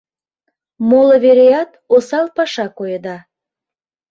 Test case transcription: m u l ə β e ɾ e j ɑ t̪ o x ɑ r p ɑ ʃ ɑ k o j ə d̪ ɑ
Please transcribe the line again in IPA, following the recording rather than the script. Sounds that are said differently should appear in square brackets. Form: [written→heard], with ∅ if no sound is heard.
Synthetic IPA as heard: m [u→o] l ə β e ɾ e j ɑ t̪ o [x→s] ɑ [r→l] p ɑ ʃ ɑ k o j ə d̪ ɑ